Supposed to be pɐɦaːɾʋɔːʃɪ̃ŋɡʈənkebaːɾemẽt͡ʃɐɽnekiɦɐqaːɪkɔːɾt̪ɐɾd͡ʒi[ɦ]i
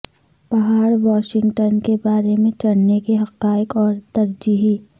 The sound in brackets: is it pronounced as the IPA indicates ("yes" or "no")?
yes